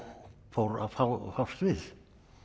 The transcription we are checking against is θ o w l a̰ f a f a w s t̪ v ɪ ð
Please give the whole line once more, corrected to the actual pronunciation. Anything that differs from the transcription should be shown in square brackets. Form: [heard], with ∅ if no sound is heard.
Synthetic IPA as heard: [f] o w [ɾ] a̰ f a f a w s t̪ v ɪ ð